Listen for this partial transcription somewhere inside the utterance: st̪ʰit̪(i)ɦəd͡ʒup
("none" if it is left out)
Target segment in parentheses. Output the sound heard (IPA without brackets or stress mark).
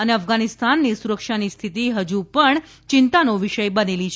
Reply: i